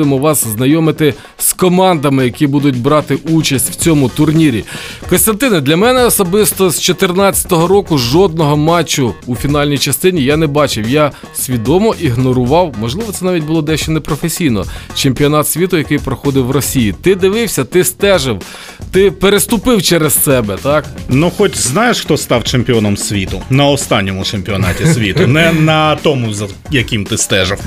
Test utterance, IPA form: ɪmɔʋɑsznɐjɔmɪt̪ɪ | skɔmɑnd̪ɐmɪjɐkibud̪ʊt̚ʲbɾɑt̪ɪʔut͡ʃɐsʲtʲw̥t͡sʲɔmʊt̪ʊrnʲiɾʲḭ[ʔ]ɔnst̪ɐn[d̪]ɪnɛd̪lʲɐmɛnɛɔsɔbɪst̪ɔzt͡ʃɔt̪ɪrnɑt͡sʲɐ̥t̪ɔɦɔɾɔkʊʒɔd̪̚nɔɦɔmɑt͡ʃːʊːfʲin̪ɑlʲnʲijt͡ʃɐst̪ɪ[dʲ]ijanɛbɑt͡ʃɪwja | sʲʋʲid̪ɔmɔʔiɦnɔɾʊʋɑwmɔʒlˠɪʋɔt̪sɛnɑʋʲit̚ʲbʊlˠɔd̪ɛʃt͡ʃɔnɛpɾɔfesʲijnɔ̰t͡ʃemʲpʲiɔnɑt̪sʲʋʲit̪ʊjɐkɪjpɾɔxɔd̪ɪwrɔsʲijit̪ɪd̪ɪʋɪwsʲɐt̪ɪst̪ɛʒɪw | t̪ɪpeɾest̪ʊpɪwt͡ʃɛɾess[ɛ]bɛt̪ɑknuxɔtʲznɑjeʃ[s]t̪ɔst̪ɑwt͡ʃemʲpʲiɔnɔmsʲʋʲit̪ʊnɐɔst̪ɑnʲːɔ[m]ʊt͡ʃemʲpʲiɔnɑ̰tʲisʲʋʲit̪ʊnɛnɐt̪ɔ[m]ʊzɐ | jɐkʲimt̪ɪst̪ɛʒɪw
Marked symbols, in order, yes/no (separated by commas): no, no, no, yes, no, yes, yes